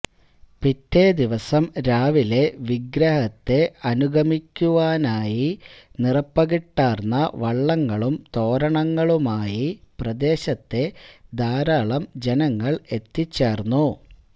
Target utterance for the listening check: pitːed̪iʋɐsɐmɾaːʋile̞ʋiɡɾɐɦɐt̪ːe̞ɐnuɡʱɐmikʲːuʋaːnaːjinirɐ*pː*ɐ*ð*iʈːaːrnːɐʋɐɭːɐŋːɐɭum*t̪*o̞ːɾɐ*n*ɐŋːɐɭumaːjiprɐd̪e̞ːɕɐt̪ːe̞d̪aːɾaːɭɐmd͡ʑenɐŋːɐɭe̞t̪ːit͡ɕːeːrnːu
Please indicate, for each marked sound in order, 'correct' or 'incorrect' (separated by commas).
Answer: correct, incorrect, correct, incorrect